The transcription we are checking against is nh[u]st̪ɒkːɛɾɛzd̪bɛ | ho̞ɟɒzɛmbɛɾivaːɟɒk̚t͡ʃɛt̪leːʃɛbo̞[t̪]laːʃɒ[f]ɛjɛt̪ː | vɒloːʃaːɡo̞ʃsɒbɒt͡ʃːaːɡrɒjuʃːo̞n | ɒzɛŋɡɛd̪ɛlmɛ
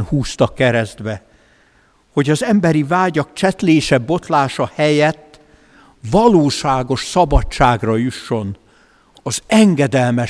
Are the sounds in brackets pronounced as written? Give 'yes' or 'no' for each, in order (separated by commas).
no, yes, no